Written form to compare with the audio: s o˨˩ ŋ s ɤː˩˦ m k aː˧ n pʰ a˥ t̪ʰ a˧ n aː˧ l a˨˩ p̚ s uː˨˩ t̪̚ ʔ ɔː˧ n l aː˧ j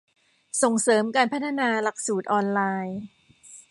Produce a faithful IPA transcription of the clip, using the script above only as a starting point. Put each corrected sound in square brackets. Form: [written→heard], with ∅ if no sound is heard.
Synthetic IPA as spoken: s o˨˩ ŋ s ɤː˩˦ m k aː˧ n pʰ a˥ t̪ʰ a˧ n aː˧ l a˨˩ [p̚→k̚] s uː˨˩ t̪̚ ʔ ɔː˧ n l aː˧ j